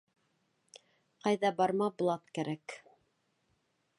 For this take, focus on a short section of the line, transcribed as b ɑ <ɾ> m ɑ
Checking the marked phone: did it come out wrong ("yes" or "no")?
no